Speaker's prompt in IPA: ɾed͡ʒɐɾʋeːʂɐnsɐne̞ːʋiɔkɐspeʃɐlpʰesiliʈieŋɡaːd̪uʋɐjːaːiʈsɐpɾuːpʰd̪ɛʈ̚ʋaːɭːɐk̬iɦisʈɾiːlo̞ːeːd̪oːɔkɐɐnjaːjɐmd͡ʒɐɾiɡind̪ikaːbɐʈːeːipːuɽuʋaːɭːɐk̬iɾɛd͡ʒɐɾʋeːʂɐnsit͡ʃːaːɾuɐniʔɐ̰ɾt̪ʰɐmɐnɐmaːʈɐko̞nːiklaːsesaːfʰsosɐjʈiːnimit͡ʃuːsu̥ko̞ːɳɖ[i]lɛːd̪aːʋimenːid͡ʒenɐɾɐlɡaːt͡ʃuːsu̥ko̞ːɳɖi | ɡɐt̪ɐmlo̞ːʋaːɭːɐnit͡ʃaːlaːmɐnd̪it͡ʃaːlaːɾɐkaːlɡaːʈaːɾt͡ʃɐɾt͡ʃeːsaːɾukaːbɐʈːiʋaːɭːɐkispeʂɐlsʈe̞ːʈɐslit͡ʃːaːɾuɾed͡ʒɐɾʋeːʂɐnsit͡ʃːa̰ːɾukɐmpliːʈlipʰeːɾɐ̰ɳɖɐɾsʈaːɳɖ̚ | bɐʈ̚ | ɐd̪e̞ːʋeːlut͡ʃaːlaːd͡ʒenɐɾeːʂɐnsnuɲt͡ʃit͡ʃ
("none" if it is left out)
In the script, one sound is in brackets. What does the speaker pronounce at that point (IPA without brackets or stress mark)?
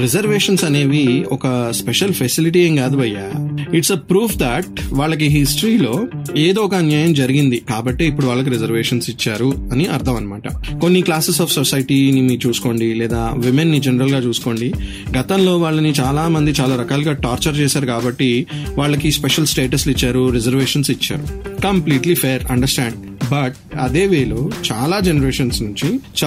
i